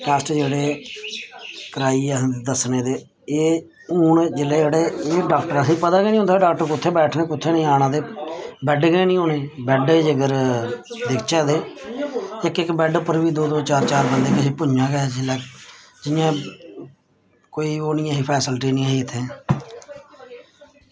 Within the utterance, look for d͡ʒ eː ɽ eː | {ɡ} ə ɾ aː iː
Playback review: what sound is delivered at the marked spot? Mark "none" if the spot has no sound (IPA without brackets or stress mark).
k